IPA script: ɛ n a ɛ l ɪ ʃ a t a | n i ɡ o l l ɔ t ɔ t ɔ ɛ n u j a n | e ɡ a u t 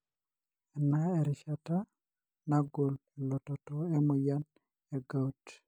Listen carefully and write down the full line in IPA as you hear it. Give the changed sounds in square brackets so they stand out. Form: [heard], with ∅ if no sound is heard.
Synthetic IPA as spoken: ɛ n a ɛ [ɾ] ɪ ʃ a t a | n [a] ɡ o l l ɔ t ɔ t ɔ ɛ [m] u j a n | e ɡ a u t